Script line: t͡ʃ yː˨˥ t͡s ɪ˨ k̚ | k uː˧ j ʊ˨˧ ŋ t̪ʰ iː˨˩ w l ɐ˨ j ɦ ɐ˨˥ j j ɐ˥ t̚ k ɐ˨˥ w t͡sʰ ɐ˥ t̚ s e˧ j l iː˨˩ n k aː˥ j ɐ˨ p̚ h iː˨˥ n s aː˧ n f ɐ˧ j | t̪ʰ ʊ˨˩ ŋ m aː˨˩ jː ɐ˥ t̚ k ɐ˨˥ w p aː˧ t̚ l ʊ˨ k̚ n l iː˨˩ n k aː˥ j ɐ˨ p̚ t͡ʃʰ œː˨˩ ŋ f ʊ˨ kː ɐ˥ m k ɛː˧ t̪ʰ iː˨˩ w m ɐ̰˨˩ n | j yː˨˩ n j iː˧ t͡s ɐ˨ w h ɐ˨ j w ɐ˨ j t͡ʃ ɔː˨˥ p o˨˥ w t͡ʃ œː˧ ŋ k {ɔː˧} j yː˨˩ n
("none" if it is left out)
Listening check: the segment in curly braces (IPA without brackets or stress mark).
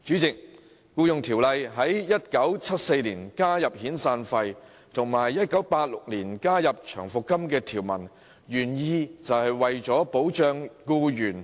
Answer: uː˧